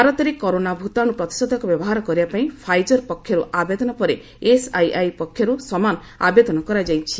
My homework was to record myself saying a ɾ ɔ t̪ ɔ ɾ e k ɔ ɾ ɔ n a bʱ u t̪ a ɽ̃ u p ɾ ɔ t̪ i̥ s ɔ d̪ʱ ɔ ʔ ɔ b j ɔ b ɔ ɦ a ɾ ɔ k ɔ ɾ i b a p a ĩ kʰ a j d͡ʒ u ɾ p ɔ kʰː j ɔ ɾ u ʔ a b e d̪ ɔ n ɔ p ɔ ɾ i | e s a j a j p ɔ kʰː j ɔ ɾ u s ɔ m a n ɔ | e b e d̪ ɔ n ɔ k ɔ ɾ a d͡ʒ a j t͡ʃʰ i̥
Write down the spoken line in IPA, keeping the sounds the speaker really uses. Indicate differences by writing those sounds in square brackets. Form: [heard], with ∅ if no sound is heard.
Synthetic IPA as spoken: a ɾ ɔ t̪ ɔ ɾ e k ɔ ɾ [o] n a bʱ u t̪ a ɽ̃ u p ɾ ɔ t̪ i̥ s ɔ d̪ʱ ɔ [k] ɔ b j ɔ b ɔ ɦ a ɾ ɔ k ɔ ɾ i b a p a ĩ [pʰ] a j d͡ʒ [ɔ] ɾ p ɔ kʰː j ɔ ɾ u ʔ a b e d̪ ɔ n ɔ p ɔ ɾ [e] | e s a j a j p ɔ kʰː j ɔ ɾ u s ɔ m a n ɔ | [a] b e d̪ ɔ n ɔ k ɔ ɾ a d͡ʒ a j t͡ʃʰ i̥